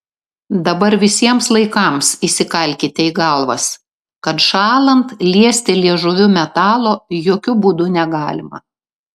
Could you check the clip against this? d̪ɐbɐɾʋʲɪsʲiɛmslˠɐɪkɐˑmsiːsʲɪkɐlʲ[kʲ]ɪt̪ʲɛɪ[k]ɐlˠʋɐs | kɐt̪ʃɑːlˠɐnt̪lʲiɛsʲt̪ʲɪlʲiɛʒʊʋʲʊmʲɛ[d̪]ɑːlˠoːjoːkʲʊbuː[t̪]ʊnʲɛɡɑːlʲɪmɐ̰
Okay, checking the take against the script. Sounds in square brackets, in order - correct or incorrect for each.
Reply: correct, incorrect, incorrect, incorrect

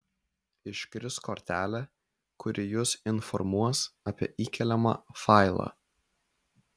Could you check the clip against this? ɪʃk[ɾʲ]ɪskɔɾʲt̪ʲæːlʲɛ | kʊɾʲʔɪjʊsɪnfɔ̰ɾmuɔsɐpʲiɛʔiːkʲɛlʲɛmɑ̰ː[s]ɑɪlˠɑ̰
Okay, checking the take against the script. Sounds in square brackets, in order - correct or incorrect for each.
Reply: correct, incorrect

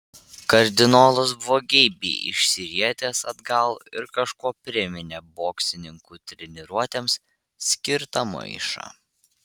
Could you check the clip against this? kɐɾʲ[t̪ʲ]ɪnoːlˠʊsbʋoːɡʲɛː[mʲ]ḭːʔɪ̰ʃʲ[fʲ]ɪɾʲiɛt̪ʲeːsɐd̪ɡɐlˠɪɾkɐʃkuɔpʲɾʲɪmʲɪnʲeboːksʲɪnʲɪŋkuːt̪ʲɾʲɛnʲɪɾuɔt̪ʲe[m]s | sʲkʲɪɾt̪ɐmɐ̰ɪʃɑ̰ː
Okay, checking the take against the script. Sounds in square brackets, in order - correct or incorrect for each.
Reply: incorrect, incorrect, incorrect, correct

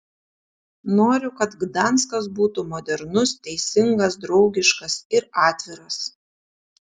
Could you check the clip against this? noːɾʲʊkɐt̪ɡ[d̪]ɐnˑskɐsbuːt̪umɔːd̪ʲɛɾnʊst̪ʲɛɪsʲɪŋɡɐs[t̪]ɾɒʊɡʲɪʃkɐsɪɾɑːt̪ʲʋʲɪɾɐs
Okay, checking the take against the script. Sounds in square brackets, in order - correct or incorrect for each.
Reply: correct, incorrect

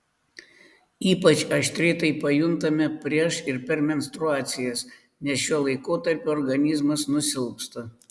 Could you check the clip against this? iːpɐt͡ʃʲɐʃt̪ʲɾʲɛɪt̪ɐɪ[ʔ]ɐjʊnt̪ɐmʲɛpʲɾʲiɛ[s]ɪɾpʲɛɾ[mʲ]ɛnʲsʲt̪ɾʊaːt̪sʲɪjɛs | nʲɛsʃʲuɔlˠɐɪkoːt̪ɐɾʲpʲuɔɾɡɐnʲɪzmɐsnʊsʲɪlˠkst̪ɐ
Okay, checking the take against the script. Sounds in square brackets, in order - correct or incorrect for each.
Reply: incorrect, incorrect, correct

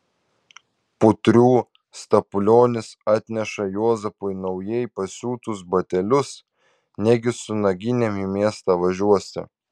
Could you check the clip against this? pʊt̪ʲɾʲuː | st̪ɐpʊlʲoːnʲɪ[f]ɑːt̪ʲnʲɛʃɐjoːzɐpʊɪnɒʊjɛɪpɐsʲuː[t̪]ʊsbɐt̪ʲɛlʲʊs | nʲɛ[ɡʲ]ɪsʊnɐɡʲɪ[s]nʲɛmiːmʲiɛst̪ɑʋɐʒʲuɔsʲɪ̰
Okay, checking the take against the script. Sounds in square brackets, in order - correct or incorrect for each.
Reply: incorrect, correct, correct, incorrect

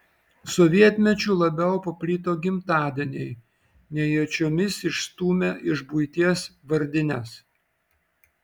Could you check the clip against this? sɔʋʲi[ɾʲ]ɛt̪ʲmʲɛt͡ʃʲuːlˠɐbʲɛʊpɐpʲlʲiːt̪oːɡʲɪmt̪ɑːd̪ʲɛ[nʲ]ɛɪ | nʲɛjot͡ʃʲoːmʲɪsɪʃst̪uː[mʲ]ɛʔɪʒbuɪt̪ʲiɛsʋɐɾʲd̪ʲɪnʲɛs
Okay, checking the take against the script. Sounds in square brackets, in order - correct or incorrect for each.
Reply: incorrect, correct, correct

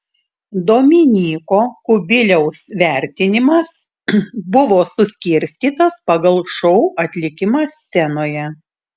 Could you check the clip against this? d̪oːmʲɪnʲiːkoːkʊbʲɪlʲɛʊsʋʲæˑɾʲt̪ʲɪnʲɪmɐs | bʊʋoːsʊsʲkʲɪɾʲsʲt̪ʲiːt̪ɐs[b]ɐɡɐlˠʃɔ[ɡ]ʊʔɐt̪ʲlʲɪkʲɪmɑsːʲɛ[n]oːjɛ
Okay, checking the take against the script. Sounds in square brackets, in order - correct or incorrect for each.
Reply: incorrect, incorrect, correct

